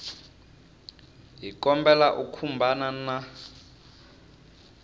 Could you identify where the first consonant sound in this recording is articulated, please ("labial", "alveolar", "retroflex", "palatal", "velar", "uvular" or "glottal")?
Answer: glottal